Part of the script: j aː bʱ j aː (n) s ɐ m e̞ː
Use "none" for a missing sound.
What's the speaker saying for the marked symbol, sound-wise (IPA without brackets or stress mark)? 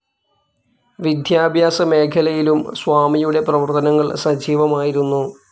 none